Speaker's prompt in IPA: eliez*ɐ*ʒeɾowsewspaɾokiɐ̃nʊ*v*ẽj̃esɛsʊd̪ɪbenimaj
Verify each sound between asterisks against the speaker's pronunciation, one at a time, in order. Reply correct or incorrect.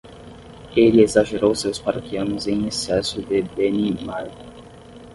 incorrect: a, incorrect: z

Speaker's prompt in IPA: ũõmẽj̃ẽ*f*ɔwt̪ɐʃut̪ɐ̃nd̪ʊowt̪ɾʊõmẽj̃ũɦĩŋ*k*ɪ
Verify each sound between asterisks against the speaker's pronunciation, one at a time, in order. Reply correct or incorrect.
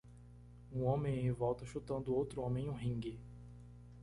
incorrect: v, incorrect: ɡ

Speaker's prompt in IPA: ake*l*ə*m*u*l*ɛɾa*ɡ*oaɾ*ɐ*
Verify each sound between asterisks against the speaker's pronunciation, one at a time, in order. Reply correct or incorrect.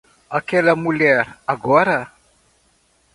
correct, correct, correct, correct, incorrect: a

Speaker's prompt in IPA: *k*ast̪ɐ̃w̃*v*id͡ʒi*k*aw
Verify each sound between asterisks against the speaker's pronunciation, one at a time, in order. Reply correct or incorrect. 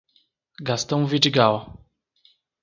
incorrect: ɡ, correct, incorrect: ɡ

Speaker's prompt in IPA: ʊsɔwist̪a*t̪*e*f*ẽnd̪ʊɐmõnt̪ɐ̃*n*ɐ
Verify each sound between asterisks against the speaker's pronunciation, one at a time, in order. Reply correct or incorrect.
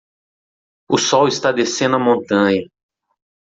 incorrect: d̪, incorrect: s, incorrect: ɲ

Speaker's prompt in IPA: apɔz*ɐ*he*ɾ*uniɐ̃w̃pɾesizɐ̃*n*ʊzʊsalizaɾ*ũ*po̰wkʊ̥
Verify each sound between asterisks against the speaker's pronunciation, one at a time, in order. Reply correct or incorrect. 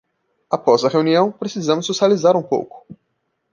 correct, incorrect: none, incorrect: m, correct

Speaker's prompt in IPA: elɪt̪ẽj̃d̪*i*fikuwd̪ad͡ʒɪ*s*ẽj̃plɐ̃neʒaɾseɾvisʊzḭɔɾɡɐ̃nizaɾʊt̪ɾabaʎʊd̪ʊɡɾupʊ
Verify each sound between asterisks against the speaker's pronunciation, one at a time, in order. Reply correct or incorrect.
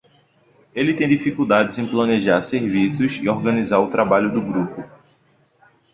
correct, incorrect: z

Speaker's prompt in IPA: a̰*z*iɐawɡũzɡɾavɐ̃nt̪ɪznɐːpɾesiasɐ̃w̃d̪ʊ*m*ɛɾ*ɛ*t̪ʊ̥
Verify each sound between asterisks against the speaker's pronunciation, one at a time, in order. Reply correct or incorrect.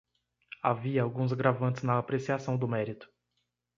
incorrect: v, correct, incorrect: i

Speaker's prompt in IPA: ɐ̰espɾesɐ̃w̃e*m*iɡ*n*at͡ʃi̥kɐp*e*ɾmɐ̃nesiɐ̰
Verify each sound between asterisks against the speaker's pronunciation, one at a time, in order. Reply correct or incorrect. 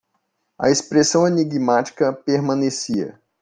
incorrect: n, incorrect: m, correct

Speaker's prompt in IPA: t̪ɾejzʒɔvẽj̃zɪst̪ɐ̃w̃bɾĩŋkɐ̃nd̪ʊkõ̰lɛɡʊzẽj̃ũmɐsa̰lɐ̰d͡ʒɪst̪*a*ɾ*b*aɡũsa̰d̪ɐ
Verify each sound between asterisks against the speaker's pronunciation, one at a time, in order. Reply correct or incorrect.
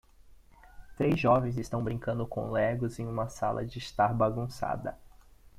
correct, correct

